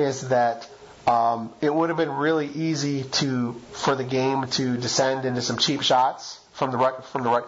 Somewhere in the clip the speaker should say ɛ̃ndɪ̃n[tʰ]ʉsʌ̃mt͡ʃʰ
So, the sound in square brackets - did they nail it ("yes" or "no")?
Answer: no